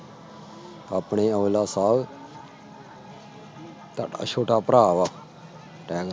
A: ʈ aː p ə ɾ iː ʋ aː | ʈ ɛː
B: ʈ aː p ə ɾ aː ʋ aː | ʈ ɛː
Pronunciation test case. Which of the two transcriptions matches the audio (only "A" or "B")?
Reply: B